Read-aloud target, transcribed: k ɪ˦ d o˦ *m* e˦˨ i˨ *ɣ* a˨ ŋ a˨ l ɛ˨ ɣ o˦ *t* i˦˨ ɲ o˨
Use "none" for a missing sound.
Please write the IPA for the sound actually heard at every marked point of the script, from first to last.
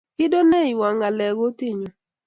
n, w, t

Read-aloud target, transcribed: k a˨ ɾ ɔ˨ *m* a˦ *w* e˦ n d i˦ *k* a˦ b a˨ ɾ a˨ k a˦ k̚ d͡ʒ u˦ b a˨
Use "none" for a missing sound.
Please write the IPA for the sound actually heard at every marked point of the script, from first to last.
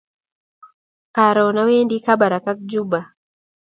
n, w, k

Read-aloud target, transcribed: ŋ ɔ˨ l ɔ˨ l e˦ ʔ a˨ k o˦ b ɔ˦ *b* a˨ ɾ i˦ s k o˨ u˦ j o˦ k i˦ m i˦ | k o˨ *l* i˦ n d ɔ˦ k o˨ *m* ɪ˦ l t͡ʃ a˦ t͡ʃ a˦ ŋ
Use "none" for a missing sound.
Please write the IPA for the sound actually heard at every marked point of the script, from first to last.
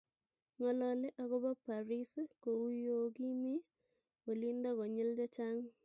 p, l, ɲ

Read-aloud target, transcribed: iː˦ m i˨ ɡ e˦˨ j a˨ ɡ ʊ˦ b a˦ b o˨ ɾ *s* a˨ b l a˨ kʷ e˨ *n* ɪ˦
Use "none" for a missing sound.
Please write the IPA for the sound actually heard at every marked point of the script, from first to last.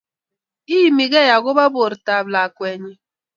t, ɲ

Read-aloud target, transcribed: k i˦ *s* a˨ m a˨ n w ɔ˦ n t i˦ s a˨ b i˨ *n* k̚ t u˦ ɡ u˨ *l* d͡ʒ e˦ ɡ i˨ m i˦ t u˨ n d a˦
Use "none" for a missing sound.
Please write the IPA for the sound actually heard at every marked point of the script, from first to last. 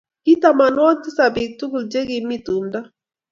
t, none, l

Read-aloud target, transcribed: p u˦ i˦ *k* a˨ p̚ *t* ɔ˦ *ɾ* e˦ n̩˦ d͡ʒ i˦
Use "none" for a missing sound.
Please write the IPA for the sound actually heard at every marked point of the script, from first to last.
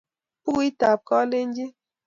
t, k, l

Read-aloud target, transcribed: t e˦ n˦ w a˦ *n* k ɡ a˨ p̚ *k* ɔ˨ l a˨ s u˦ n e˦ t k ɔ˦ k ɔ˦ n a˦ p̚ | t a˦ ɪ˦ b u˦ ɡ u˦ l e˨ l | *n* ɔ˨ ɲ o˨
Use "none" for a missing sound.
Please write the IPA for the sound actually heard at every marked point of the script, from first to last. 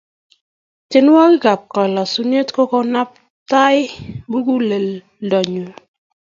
none, k, d

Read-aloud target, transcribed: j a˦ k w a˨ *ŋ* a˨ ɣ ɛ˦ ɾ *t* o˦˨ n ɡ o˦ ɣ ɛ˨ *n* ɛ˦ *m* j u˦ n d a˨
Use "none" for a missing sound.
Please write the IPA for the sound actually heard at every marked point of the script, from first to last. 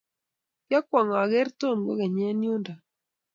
ŋ, t, ɲ, n

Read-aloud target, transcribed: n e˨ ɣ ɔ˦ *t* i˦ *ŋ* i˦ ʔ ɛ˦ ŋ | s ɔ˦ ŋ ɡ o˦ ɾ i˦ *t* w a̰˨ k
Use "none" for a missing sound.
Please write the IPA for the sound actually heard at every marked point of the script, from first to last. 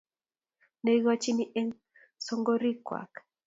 t͡ʃ, n, k

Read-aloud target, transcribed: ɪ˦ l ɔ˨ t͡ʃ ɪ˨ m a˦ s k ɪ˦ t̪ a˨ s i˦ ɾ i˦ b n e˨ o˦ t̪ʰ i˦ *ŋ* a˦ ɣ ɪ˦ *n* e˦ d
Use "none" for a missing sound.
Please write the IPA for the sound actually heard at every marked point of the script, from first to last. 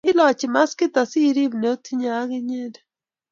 ɲ, ɲ

